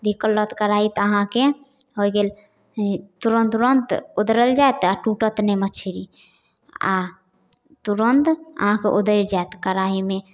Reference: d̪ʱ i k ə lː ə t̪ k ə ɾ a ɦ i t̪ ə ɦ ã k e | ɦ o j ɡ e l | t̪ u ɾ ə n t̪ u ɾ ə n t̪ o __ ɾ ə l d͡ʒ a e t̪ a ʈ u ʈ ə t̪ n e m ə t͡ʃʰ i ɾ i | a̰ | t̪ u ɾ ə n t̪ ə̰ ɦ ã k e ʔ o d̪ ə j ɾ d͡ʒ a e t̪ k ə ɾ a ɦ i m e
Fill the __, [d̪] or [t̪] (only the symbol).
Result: d̪